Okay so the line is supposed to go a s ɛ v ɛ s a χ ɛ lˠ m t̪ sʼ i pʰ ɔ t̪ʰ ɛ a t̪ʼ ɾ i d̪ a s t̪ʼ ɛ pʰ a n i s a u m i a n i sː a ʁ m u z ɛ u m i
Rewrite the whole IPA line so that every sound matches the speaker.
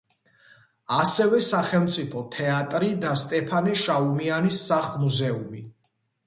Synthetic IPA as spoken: a s ɛ v ɛ s a χ ɛ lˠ m t̪ sʼ i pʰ ɔ t̪ʰ ɛ a t̪ʼ ɾ i d̪ a s t̪ʼ ɛ pʰ a n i ʃ a u m i a n i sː a χ m u z ɛ u m i